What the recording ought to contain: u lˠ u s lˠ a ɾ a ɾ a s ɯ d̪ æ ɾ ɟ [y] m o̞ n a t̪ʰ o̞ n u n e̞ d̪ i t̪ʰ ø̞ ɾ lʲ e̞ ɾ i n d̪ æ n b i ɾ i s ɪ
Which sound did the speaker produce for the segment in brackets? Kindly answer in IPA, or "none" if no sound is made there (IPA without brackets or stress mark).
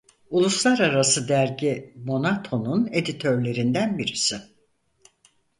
i